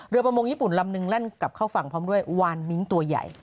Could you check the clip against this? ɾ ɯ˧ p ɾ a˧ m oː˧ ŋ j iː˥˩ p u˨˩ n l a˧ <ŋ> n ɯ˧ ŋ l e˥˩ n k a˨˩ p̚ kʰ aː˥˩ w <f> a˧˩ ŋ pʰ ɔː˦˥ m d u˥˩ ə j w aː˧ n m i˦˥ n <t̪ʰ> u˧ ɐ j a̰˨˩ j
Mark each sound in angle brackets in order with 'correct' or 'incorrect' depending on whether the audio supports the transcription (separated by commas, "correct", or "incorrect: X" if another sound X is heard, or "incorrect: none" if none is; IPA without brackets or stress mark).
incorrect: m, correct, incorrect: t̪